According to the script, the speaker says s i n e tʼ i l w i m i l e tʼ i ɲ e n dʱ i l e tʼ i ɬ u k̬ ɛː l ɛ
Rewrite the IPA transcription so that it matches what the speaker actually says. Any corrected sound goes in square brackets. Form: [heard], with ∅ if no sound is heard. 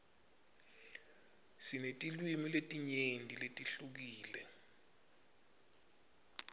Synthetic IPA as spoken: s i n e tʼ i l w i m i l e tʼ i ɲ e n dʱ i l e tʼ i ɬ u k̬ [iː] l ɛ